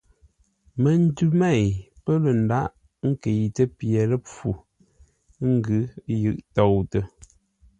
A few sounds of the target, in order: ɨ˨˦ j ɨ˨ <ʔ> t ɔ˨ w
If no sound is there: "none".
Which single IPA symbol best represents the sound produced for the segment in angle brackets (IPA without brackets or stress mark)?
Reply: ʔ